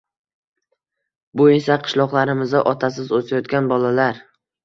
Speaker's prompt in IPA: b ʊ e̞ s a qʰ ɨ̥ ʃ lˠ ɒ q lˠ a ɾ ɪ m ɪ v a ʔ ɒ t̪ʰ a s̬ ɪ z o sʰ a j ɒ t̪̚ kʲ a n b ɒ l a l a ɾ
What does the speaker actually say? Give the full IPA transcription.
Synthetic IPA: b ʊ e̞ s a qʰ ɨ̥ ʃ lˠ ɒ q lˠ a ɾ ɪ m ɪ z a ʔ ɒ t̪ʰ a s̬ ɪ z o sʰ a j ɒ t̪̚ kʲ a n b ɒ l a l a ɾ